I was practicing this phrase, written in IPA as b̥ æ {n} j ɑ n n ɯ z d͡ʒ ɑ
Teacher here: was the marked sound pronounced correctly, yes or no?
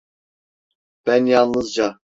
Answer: yes